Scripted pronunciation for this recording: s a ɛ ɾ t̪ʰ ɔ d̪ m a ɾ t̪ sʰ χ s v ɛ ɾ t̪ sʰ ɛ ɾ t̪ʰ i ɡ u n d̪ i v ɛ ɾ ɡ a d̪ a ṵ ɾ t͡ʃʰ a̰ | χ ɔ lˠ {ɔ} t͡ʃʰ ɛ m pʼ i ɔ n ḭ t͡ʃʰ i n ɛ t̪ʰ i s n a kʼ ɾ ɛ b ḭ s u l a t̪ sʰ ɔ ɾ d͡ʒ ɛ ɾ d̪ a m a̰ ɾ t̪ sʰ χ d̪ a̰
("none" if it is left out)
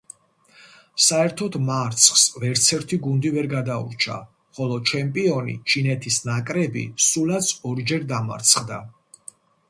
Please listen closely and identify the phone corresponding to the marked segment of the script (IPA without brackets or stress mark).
ɔ